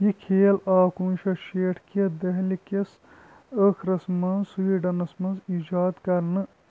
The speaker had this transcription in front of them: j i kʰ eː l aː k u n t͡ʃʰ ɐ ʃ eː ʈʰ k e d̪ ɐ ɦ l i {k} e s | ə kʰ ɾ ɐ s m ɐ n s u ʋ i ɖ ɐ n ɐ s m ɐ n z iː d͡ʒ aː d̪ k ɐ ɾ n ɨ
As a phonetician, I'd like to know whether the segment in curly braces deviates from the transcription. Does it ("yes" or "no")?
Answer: no